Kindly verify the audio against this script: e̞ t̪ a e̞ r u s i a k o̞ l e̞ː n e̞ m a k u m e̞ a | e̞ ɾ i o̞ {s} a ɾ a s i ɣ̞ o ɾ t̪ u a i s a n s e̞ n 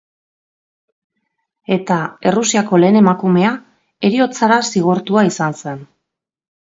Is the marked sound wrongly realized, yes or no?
yes